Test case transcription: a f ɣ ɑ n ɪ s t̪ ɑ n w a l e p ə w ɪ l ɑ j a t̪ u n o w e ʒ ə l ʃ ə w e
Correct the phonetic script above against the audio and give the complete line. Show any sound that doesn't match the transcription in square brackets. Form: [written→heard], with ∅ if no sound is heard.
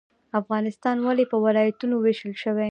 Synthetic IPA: a f ɣ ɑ n ɪ s t̪ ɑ n w a l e p ə w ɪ l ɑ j a t̪ u n o w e [ʒ→ʃ] ə l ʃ ə w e